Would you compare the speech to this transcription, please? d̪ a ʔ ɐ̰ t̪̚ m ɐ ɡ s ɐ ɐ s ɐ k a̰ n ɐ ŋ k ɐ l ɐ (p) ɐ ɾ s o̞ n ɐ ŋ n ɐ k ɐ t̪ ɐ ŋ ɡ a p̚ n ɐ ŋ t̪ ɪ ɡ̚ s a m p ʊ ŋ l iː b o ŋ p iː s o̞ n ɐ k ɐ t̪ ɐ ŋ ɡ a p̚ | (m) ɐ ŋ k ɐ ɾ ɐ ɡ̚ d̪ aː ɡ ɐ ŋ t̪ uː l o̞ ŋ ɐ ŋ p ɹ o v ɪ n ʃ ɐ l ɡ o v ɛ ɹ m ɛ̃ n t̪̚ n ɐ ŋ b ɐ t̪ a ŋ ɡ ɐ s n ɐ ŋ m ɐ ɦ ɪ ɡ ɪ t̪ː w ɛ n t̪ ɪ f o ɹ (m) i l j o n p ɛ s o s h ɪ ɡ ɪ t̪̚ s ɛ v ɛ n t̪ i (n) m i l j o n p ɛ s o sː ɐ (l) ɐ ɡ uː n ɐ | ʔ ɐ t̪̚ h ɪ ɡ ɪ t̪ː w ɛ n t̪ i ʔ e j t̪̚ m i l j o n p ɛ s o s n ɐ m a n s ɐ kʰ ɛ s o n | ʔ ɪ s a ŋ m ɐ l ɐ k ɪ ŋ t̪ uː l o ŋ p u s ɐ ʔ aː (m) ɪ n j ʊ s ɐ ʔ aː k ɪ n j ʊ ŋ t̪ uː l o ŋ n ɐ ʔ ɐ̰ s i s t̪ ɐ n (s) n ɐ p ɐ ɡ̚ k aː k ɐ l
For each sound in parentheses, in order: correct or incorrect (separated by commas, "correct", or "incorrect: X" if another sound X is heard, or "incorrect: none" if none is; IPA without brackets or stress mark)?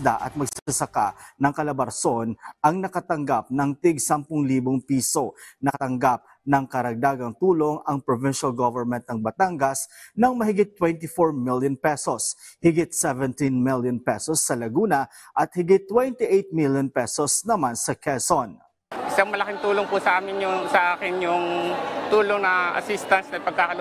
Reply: incorrect: b, incorrect: n, correct, correct, correct, correct, correct